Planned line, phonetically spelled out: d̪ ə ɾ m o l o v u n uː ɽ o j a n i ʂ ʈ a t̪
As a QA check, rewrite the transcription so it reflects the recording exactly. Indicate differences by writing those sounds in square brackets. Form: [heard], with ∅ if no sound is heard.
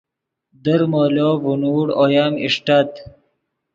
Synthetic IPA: d̪ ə ɾ m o l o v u n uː ɽ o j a [m] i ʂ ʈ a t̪